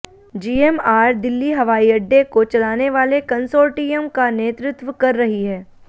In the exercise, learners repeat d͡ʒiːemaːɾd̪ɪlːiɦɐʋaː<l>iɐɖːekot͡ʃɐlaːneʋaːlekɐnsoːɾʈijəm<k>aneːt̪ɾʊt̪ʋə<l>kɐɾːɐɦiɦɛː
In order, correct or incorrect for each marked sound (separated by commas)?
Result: incorrect, correct, incorrect